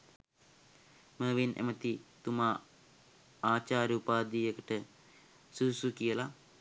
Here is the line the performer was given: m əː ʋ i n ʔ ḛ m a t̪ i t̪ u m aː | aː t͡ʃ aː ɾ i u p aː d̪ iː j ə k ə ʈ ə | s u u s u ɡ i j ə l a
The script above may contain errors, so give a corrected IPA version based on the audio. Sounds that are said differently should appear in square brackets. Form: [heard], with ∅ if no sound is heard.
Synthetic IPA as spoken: m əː ʋ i n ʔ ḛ m [ə] t̪ i t̪ u m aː | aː t͡ʃ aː ɾ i u p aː d̪ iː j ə k ə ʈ ə | s u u s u [k] i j ə l a

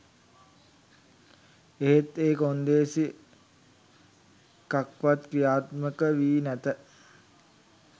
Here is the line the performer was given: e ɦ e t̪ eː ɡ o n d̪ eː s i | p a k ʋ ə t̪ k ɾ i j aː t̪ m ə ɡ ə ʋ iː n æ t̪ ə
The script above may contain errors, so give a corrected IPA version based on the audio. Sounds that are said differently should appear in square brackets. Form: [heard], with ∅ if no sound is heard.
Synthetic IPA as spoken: e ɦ e t̪ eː [k] o n d̪ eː s i | [k] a k ʋ [a] t̪ k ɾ i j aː t̪ m ə [k] ə ʋ iː n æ t̪ ə

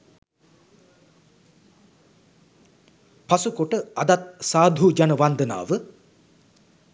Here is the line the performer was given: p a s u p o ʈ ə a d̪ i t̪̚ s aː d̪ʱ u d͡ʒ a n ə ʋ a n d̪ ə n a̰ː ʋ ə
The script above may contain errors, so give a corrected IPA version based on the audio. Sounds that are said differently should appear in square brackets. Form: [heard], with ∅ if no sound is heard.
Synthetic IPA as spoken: p a s u [k] o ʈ ə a d̪ [a] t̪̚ s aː d̪ʱ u d͡ʒ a n ə ʋ a n d̪ ə n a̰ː ʋ ə

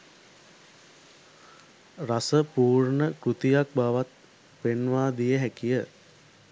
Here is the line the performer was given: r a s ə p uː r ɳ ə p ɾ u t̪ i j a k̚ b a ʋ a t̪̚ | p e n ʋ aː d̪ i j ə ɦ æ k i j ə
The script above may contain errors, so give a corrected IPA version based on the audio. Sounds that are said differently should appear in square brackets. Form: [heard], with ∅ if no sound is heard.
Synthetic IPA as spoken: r a s ə p uː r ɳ ə [k] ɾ u t̪ i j a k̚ b a ʋ a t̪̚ | p e n ʋ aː d̪ i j ə ɦ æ k i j ə

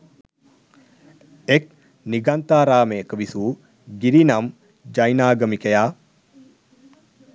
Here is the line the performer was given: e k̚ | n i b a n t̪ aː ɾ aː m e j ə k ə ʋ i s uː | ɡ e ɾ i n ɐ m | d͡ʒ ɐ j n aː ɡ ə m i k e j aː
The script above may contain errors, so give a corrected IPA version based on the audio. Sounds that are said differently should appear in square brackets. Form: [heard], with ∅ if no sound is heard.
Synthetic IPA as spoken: e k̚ | n i [ɡ] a n t̪ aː ɾ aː m e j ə k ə ʋ i s uː | ɡ [i] ɾ i n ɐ m | d͡ʒ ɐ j n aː ɡ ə m i k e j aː

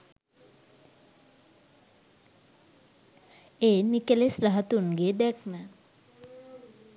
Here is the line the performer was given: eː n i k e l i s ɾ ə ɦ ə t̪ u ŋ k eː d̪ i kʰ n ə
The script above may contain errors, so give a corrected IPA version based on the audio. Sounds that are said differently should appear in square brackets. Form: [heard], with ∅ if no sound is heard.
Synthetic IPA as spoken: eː n i k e l [e] s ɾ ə ɦ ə t̪ u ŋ [ɡ] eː d̪ [ɛ] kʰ n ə

